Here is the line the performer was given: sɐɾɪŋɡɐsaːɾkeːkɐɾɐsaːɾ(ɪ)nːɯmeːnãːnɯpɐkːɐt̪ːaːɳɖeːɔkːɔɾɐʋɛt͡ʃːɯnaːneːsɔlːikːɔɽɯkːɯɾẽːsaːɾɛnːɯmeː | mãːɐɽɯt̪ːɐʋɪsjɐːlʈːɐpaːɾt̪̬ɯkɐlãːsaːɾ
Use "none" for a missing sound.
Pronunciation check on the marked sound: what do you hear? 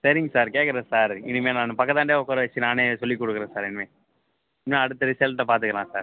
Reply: ɪ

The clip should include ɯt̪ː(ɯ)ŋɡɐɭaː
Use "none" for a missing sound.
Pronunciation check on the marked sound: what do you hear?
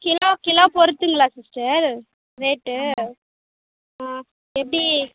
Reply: ɯ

